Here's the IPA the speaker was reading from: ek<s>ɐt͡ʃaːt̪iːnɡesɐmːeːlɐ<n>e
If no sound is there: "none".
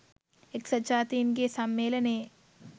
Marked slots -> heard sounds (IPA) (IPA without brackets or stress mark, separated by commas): s, n